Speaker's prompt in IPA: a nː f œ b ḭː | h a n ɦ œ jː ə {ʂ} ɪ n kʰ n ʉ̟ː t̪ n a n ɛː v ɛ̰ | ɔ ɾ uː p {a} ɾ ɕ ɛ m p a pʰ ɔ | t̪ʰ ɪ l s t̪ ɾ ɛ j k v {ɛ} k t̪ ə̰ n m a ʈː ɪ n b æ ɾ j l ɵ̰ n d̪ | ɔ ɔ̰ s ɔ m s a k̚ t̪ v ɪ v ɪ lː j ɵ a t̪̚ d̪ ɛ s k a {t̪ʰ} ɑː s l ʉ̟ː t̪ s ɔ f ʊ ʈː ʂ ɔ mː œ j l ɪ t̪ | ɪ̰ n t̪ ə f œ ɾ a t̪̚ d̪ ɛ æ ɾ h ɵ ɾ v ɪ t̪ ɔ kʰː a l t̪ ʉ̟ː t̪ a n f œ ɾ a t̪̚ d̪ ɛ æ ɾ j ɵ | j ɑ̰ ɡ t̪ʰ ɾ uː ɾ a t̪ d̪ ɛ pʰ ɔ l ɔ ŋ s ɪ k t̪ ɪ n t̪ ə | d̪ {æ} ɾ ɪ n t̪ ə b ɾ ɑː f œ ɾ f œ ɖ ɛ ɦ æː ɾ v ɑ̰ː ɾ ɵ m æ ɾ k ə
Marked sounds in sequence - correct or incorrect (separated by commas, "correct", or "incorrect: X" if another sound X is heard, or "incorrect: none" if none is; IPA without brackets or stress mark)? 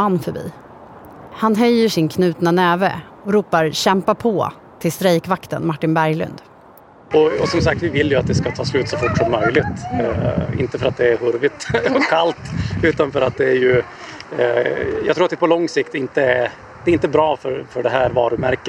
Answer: correct, correct, incorrect: a, correct, incorrect: ɛ